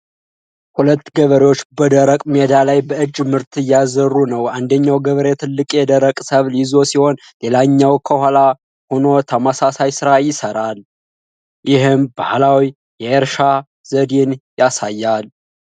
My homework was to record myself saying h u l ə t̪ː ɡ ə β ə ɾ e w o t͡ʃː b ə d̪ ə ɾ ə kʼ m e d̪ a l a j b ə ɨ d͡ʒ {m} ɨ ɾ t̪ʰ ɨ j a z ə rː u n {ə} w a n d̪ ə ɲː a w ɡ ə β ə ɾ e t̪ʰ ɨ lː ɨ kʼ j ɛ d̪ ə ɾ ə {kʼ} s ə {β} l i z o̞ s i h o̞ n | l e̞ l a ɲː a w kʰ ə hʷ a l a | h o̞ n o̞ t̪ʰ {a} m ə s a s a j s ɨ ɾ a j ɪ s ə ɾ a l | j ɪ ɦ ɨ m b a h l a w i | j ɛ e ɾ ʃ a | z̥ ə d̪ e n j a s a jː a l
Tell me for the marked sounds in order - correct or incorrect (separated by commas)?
correct, correct, correct, correct, incorrect